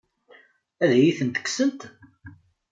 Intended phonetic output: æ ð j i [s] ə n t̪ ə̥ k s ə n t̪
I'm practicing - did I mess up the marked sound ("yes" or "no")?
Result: yes